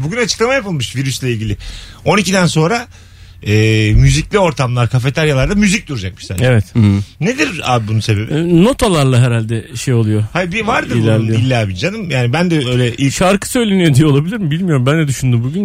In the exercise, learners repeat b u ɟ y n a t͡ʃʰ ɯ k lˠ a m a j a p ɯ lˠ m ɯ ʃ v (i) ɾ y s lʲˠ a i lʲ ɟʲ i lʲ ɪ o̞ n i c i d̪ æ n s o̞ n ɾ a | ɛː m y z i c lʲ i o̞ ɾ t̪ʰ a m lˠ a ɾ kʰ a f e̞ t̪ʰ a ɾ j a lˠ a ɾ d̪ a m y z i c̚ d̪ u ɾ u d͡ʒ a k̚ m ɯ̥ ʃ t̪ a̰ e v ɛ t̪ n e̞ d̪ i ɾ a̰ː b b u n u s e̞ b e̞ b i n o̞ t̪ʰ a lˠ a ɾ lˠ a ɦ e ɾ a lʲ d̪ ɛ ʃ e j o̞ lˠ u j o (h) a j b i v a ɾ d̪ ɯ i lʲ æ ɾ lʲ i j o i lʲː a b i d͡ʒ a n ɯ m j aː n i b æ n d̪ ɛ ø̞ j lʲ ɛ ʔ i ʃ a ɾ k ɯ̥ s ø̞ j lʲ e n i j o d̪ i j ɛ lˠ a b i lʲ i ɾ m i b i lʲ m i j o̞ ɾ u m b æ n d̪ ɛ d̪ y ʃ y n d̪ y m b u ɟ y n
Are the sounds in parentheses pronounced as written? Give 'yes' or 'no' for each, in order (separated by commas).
yes, yes